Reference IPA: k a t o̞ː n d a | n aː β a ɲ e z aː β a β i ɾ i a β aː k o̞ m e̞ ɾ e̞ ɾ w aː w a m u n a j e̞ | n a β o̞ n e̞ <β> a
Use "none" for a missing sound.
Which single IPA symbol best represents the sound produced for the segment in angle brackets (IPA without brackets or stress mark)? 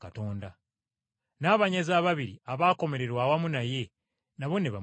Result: β